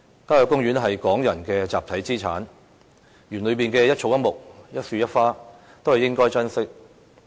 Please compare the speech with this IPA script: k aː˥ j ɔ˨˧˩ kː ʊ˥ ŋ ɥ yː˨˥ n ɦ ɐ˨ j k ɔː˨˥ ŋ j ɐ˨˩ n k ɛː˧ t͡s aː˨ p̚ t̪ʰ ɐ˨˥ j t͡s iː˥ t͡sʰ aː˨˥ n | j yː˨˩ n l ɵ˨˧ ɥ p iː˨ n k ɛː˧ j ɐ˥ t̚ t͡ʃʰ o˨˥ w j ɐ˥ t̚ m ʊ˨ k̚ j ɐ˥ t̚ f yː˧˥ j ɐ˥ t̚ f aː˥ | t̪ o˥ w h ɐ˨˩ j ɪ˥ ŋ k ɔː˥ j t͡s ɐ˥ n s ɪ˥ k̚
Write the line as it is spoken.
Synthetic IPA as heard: k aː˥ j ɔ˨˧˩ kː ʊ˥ ŋ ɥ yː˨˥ n ɦ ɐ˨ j k ɔː˨˥ ŋ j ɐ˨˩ n k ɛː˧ t͡s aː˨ p̚ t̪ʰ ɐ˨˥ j t͡s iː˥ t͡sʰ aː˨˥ n | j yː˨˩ n l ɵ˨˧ ɥ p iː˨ n k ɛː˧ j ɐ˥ t̚ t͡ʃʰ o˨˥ w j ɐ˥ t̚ m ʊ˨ k̚ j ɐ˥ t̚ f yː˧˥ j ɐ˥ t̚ f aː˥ | t̪ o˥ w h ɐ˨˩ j ɪ˥ ŋ k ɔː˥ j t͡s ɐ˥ n s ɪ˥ k̚